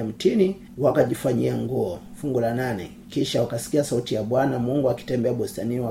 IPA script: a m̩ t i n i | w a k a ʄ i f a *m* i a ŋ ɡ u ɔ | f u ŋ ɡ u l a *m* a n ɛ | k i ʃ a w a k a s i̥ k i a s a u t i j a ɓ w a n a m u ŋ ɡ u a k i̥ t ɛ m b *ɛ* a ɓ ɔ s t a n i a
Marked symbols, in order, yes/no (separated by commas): no, no, yes